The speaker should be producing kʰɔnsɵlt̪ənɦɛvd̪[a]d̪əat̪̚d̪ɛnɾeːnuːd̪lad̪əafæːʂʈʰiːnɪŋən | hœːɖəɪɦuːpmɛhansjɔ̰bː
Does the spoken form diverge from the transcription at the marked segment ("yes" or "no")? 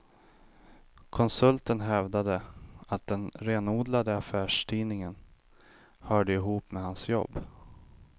no